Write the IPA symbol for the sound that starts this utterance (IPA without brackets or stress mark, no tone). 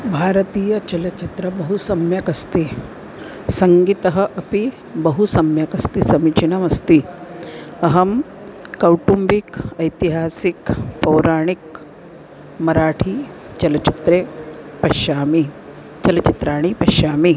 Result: bʱ